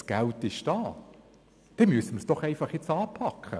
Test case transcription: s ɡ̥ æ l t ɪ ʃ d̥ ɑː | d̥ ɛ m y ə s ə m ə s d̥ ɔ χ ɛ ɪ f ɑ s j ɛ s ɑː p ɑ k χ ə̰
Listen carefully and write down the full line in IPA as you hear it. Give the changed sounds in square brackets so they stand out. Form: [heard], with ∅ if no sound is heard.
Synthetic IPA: s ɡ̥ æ l t ɪ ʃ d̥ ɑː | d̥ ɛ m y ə s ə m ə s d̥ ɔ χ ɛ ɪ f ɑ [χ] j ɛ [t͡s] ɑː [pʰ] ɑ k χ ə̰